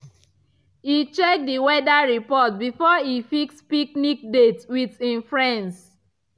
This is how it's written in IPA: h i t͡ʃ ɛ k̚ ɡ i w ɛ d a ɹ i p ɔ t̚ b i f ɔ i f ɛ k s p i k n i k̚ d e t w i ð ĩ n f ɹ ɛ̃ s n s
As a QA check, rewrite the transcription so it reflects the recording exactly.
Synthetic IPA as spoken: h i t͡ʃ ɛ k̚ d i w ɛ d a ɹ i p ɔ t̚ b i f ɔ i f i k s p i k n i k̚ d e t w i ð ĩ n f ɹ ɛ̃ n s

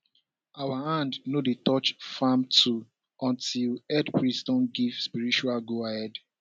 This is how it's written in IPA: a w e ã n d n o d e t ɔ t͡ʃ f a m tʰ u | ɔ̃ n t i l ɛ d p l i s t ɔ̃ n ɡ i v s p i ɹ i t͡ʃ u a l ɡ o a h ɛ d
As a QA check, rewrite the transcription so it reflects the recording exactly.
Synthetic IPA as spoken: a w a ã n d n o d e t ɔ t͡ʃ f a m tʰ u | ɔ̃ n t i l ɛ d p ɹ i s t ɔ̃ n ɡ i v s p i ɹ i t͡ʃ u a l ɡ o a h ɛ d

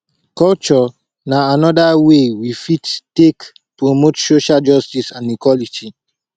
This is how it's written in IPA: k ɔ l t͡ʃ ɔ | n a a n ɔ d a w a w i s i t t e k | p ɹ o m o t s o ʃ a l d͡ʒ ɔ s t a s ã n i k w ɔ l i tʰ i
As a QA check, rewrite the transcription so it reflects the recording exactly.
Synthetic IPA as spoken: k ɔ l t͡ʃ ɔ | n a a n ɔ d a w e w i f i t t e k | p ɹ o m o t s o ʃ a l d͡ʒ ɔ s t i s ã n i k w ɔ l i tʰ i

